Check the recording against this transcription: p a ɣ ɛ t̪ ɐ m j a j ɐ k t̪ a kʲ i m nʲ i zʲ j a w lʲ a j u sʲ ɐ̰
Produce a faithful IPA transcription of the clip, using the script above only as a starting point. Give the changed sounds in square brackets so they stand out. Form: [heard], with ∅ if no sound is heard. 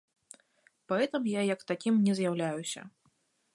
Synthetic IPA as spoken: p a ɣ ɛ t̪ ɐ m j a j ɐ k t̪ a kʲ i m nʲ [ɛ] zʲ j a w lʲ a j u sʲ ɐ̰